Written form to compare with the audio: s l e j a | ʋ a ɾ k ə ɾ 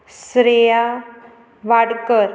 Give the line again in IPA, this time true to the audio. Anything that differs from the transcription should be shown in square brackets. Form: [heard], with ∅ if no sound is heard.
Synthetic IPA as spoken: s [ɾ] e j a | ʋ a [ɽ] k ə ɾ